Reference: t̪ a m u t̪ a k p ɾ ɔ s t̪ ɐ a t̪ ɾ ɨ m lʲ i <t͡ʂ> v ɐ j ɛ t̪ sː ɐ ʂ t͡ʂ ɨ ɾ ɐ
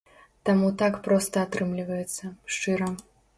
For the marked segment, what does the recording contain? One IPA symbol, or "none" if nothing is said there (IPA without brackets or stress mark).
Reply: none